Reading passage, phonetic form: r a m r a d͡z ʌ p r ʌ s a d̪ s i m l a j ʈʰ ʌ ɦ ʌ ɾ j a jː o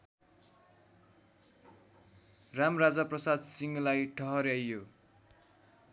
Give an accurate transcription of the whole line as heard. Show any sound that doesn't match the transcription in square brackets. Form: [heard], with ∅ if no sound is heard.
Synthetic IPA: r a m r a d͡z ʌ p r ʌ s a d̪ s i [ŋ] l a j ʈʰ ʌ ɦ ʌ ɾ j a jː o